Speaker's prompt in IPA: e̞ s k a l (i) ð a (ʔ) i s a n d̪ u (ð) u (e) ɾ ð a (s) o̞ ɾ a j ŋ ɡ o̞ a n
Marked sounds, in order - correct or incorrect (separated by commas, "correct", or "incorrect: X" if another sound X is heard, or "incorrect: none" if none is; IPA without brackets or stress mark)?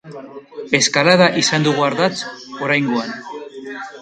incorrect: a, correct, incorrect: ɣ, incorrect: a, incorrect: t͡s